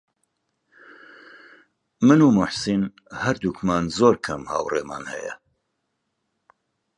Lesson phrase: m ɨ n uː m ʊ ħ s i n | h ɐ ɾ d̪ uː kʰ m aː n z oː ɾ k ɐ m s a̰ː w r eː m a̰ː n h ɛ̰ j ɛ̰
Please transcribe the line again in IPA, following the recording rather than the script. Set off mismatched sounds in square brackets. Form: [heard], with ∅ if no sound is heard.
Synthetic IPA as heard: m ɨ n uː m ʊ ħ s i n | h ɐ ɾ d̪ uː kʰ m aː n z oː ɾ [kʰ] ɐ m [h] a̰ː w r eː m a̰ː n h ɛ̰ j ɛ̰